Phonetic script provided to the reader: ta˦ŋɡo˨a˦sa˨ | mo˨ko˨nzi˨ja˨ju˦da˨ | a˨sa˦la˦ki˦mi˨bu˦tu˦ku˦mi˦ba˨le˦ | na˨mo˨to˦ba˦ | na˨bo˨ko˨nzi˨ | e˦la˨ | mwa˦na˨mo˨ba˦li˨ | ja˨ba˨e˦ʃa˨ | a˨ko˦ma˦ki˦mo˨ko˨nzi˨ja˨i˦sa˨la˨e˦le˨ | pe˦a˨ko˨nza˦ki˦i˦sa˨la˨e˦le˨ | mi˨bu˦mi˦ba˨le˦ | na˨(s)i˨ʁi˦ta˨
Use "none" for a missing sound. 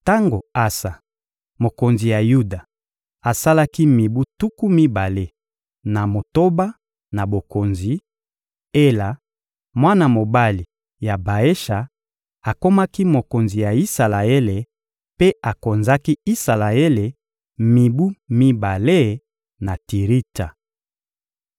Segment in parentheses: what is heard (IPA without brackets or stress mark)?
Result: t